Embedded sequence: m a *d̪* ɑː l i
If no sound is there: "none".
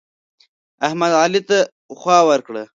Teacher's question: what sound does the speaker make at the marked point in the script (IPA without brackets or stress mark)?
d̪